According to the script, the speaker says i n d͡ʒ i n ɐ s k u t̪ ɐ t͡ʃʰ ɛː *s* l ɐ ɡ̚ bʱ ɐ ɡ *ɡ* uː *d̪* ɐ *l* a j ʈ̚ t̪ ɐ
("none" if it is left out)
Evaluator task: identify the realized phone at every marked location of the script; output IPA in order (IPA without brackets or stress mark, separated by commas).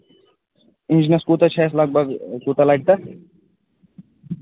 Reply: s, k, t̪, l